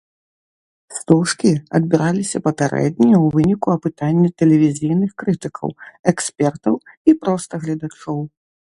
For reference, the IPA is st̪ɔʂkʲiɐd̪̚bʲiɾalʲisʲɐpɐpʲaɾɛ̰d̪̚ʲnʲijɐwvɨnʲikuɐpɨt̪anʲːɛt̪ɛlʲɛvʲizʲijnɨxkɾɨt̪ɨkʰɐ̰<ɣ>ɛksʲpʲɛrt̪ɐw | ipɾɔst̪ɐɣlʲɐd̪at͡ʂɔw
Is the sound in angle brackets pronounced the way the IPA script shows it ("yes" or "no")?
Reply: no